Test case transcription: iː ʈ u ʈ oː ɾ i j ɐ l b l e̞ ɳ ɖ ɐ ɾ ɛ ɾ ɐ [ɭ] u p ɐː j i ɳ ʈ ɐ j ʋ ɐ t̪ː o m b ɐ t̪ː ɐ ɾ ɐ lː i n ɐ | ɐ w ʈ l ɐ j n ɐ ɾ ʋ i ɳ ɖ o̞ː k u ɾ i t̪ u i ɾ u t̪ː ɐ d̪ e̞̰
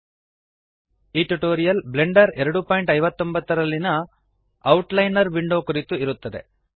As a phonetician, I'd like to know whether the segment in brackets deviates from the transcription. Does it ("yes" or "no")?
yes